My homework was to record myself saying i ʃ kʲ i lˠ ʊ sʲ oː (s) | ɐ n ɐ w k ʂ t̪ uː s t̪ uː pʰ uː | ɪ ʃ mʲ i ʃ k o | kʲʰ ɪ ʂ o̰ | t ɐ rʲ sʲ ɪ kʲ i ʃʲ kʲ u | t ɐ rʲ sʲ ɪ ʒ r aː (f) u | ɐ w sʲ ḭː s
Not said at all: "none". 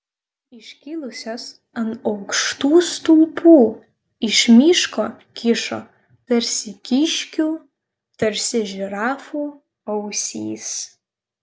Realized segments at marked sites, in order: s, f

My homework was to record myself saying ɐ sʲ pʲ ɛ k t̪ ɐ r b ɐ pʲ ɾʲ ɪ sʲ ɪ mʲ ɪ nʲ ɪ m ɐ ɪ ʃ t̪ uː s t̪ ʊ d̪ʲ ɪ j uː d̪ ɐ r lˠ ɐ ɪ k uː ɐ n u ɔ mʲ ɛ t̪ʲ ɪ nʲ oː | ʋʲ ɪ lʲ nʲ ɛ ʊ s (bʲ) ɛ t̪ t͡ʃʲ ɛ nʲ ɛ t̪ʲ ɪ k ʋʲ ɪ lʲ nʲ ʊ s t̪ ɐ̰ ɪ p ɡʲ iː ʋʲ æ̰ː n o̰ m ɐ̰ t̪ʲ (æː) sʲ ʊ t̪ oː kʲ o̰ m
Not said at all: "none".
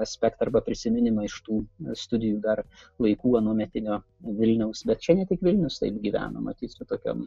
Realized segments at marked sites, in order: bʲ, iː

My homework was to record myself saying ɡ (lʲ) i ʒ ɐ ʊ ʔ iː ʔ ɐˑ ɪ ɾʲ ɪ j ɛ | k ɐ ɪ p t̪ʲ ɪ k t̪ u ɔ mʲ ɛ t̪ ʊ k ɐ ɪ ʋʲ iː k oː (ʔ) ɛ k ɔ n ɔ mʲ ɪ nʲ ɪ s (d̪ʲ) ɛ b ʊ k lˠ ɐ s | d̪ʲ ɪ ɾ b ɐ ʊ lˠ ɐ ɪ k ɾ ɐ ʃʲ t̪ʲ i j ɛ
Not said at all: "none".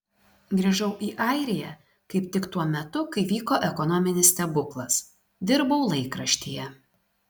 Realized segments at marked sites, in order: ɾʲ, ʔ, t̪ʲ

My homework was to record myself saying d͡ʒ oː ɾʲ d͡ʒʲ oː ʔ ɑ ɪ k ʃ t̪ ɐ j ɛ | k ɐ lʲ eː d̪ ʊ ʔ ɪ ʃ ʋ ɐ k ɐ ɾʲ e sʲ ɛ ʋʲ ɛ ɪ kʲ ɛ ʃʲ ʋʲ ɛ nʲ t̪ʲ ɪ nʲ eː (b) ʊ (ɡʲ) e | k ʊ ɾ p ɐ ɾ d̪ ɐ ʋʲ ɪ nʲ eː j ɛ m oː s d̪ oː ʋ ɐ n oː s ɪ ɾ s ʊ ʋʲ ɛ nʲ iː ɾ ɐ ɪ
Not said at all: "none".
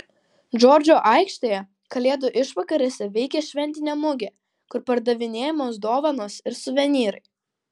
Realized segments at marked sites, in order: m, ɡʲ

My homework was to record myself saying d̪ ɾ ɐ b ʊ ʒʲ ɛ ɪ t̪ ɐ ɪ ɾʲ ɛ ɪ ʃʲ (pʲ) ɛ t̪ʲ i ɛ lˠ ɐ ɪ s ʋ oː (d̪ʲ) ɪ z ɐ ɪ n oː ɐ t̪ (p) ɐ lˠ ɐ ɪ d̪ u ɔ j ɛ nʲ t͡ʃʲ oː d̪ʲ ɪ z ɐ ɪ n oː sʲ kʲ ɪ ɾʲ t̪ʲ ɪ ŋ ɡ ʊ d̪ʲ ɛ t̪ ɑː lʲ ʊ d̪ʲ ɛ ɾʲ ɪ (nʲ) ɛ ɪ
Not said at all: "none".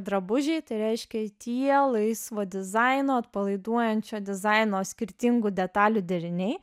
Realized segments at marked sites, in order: kʲ, d̪ʲ, p, nʲ

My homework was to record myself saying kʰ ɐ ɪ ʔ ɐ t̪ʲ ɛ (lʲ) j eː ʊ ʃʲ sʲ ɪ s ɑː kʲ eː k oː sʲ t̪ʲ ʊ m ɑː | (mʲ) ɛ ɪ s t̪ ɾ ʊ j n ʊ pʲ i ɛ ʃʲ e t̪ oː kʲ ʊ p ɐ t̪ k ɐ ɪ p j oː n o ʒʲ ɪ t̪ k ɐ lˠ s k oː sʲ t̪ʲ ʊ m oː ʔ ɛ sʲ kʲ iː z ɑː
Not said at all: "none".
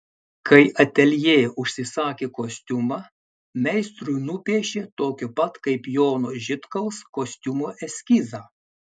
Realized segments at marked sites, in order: lʲ, mʲ

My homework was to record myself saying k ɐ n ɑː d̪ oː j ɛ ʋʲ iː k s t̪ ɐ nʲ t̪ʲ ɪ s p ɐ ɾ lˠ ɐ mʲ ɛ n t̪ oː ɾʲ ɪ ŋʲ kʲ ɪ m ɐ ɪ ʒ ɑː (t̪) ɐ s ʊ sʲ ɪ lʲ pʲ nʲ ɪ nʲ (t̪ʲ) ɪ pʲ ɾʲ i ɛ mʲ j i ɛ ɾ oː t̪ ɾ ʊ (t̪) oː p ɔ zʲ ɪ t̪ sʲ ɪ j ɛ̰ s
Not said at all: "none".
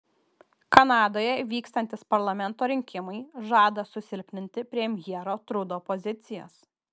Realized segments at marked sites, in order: d̪, t̪ʲ, d̪

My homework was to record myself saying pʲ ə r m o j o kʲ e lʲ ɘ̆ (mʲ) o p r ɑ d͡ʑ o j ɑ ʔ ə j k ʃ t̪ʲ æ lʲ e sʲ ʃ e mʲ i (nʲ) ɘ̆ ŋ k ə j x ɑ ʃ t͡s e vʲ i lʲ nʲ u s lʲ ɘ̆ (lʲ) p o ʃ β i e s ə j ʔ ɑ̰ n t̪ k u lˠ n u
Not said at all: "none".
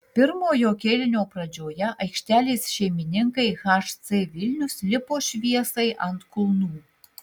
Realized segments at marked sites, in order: nʲ, nʲ, none

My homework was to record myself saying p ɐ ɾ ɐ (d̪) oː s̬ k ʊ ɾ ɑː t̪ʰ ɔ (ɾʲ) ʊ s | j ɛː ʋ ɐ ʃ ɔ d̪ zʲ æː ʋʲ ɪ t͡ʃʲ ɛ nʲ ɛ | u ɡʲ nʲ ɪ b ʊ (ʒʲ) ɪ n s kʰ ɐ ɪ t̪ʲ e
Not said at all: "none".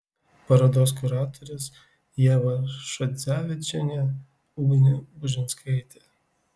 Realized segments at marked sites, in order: d̪, ɾʲ, ʒʲ

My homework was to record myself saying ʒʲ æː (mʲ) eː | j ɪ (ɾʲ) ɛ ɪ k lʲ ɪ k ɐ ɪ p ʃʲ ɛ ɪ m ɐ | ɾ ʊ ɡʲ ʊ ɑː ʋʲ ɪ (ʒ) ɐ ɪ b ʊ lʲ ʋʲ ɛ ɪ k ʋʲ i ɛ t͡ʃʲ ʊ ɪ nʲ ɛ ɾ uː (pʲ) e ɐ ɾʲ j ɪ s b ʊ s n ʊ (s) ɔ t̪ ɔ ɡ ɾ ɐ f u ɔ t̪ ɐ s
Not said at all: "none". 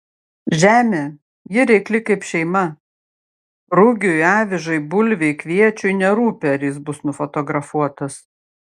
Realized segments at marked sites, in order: mʲ, ɾʲ, ʒ, pʲ, f

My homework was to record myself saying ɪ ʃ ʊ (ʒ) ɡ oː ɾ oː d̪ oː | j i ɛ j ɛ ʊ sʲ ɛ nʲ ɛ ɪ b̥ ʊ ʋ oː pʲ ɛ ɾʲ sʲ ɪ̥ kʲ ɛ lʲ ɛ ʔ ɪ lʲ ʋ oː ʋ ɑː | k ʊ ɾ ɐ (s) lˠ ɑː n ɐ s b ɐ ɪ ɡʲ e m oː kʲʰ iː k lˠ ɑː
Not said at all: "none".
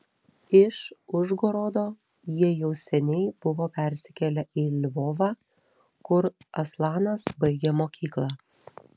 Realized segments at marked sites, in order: ʒ, s

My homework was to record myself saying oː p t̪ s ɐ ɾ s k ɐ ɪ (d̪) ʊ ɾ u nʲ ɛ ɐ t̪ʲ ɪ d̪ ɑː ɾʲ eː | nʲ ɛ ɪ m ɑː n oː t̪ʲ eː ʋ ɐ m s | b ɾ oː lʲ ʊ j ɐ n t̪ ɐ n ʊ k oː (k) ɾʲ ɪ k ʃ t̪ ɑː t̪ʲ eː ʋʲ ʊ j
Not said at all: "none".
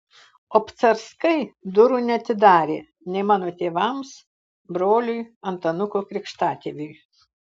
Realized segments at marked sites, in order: d̪, k

